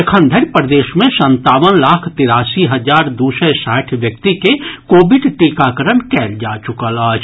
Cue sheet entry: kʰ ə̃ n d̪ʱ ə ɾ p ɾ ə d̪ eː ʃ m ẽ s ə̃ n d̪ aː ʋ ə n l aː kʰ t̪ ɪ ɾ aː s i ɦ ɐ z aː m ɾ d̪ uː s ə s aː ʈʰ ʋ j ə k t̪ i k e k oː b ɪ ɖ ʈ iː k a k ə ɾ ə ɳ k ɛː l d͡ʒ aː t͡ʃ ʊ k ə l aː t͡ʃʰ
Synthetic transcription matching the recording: kʰ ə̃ n d̪ʱ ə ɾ p ɾ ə d̪ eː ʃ m ẽ s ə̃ n t̪ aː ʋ ə n l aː kʰ t̪ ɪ ɾ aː s i ɦ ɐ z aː ɾ d̪ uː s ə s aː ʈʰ ʋ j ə k t̪ i k e k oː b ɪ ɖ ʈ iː k a k ə ɾ ə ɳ k ɛː l d͡ʒ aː t͡ʃ ʊ k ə l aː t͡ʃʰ